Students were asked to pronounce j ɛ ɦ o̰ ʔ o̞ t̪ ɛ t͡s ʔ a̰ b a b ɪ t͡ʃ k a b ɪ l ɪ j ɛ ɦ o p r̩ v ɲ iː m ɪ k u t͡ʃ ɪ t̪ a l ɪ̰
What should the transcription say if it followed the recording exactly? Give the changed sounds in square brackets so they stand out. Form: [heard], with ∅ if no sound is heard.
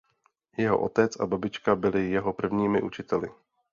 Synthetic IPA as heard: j ɛ ɦ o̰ ʔ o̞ t̪ ɛ t͡s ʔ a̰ b a b ɪ t͡ʃ k a b ɪ l ɪ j ɛ ɦ o p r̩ v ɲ iː m ɪ [ʔ] u t͡ʃ ɪ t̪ [ɛ] l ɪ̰